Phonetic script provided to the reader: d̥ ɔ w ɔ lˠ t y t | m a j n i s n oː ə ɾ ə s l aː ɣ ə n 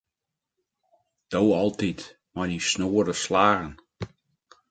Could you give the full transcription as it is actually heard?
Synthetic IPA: d̥ o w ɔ lˠ t i t | m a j n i s n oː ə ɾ ə s l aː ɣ ə n